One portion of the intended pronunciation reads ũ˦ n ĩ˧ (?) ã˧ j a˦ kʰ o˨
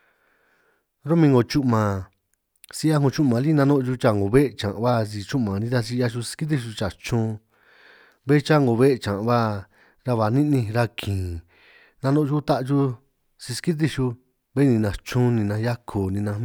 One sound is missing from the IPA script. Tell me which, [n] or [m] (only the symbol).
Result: n